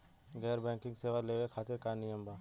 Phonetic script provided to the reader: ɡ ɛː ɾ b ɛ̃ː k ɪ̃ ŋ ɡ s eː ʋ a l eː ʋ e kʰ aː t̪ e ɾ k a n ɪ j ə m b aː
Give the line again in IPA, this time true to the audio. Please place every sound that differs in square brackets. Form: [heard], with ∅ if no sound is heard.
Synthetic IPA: ɡ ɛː ɾ b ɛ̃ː k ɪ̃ ŋ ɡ s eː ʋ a l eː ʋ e kʰ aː t̪ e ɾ k a n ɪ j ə m b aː